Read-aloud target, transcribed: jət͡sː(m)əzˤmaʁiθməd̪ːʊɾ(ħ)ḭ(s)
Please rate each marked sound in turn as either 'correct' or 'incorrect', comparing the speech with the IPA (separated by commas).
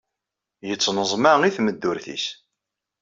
incorrect, incorrect, correct